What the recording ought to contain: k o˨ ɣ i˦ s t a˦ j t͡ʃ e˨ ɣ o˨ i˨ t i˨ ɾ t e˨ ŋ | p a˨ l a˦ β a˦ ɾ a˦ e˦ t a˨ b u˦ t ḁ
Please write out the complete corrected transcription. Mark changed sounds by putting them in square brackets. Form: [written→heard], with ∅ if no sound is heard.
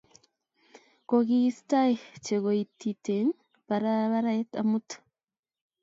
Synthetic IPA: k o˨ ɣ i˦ s t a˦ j t͡ʃ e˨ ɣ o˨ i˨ t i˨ [ɾ→∅] t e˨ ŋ | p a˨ [l→ɾ] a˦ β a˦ ɾ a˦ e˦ t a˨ [b→m] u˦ t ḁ

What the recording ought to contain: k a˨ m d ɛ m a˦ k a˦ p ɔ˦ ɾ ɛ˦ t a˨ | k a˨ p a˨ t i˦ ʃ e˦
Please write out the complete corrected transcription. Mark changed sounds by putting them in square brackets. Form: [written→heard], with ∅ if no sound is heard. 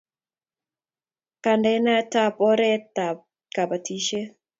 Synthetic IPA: k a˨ [m→n] d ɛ [m→n] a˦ [k→t] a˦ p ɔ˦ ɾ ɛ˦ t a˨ | k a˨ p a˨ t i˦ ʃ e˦

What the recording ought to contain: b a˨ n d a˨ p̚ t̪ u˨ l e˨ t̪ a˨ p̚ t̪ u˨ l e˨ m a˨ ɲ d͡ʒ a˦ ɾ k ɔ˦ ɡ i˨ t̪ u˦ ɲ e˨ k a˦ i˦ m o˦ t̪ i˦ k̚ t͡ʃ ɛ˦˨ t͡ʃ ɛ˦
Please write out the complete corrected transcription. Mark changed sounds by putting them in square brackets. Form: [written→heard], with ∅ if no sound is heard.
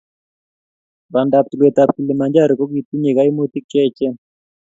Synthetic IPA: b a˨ n d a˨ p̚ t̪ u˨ l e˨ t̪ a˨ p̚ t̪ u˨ l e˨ m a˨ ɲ d͡ʒ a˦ ɾ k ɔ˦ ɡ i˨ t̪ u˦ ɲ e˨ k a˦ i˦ m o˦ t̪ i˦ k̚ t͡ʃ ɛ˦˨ t͡ʃ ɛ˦

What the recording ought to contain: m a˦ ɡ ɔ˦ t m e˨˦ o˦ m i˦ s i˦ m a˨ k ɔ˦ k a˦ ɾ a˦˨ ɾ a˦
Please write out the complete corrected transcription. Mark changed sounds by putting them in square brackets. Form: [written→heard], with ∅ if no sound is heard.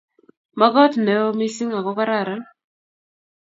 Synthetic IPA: m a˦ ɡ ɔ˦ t [m→n] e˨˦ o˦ m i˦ s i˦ [m→ŋ] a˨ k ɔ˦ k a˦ ɾ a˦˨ ɾ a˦

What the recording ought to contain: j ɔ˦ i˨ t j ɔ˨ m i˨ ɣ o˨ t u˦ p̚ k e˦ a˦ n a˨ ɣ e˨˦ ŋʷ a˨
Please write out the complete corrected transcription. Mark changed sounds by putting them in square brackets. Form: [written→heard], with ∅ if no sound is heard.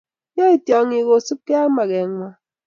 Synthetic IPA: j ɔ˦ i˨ t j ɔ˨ [m→ŋ] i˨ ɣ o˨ [t→s] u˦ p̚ k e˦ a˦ [n→m] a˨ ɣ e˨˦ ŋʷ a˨

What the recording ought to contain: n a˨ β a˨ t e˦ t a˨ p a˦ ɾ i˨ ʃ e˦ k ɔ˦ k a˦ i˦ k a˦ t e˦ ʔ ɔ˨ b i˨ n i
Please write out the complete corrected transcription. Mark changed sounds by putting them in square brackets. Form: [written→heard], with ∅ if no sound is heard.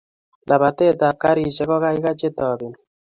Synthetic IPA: n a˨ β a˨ t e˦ t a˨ [p→k] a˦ ɾ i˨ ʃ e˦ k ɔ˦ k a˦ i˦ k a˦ [t→t͡ʃ] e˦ [ʔ→t] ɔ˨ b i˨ n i

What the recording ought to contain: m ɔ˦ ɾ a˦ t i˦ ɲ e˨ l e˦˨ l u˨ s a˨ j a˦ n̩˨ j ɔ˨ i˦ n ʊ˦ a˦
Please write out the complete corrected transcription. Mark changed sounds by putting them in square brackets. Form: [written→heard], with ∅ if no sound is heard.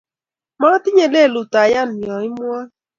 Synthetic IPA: m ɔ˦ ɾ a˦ t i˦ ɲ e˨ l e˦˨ l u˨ [s→t] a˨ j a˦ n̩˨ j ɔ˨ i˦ [n→m] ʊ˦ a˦

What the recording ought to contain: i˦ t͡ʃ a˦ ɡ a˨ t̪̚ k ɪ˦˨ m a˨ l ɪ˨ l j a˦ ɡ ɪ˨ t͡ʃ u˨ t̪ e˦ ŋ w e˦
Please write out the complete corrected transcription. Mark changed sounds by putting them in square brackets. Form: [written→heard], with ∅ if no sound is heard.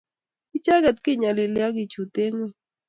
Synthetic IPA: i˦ t͡ʃ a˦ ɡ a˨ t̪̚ k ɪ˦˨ [m→ɲ] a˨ l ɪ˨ l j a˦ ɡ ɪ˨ t͡ʃ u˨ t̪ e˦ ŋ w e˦

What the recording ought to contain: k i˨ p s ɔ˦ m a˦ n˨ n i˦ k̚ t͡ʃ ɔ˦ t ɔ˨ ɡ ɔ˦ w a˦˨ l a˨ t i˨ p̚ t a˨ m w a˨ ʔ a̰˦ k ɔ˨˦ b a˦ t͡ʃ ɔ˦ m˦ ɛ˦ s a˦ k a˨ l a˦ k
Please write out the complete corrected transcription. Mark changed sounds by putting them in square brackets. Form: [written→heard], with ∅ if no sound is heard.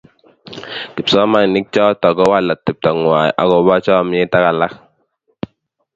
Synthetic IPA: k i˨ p s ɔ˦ m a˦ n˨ n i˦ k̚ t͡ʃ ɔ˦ t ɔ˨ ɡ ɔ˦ w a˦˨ l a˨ t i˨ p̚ t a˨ [m→ŋ] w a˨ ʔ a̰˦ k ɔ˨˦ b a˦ t͡ʃ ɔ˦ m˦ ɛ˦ [s→t] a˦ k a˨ l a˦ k

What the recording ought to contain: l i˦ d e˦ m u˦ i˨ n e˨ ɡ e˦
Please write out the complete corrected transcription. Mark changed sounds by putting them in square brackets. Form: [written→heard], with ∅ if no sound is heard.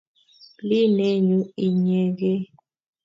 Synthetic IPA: l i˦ [d→n] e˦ [m→ɲ] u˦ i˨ [n→ɲ] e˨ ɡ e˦

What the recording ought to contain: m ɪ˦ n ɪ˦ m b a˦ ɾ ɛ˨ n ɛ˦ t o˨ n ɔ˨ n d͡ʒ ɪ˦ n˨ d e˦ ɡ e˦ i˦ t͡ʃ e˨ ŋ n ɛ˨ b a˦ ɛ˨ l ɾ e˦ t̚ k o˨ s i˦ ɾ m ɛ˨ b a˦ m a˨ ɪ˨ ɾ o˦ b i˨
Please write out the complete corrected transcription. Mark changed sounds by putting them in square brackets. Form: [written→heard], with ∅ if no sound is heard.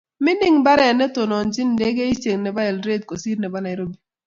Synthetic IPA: m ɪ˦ n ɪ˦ [m→ŋ] b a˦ ɾ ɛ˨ n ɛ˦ t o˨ n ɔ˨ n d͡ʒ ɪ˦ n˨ d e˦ ɡ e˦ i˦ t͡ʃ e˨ ŋ n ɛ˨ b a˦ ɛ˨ l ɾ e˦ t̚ k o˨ s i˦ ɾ [m→n] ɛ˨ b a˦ [m→n] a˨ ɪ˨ ɾ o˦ b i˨

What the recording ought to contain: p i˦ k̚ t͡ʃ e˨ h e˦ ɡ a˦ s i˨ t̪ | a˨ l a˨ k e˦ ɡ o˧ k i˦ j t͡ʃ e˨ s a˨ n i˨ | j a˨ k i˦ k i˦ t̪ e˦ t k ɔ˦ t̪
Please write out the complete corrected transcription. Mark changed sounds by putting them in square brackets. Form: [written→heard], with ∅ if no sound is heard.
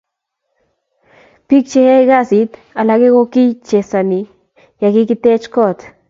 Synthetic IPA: p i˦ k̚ t͡ʃ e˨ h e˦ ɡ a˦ s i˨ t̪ | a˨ l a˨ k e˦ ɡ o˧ k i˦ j t͡ʃ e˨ s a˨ n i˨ | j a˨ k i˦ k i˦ t̪ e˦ [t→t͡ʃ] k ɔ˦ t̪

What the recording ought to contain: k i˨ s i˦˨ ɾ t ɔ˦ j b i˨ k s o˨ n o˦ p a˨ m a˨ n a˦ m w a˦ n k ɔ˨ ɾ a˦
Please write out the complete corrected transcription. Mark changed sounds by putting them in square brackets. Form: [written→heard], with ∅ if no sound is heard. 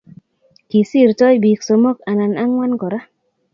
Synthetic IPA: k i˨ s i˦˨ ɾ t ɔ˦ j b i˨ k s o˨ [n→m] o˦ [p→k] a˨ [m→n] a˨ n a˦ [m→ŋ] w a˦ n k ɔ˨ ɾ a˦

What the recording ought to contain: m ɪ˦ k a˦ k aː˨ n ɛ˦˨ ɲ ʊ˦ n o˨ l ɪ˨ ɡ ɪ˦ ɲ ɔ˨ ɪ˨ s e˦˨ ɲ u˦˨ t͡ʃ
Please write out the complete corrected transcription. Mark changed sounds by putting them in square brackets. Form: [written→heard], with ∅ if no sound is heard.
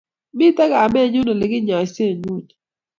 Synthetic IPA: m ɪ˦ [k→t] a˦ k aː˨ [n→m] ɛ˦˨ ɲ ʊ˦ n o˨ l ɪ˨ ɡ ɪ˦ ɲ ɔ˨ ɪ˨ s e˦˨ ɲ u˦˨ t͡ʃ

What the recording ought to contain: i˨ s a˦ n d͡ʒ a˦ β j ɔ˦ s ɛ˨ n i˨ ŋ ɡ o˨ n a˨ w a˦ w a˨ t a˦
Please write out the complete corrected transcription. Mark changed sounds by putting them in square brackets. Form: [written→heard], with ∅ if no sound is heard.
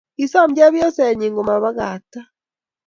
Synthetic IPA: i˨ s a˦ [n→m] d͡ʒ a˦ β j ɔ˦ s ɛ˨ [n→ɲ] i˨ ŋ ɡ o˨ [n→m] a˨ [w→β] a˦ [w→ɣ] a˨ t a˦

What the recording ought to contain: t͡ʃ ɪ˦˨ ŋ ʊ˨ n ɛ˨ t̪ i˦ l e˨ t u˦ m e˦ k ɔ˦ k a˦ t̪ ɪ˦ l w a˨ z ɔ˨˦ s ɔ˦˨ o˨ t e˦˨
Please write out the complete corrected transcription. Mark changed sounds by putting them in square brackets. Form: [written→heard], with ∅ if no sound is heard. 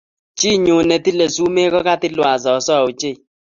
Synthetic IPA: t͡ʃ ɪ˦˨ [ŋ→ɲ] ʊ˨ n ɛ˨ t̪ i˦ l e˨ [t→s] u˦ m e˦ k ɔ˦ k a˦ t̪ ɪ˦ l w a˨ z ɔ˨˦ s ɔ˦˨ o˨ [t→t͡ʃ] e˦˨

